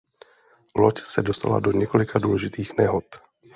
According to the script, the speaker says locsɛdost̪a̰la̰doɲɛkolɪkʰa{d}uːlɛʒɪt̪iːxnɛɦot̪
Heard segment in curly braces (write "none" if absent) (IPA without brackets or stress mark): d